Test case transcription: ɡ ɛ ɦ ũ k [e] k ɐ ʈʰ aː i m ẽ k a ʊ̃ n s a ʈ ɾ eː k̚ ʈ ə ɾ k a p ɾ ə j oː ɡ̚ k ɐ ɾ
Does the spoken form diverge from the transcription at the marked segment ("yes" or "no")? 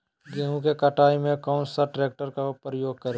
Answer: no